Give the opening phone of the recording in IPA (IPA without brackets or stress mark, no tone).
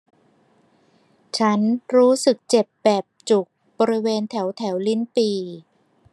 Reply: t͡ɕʰ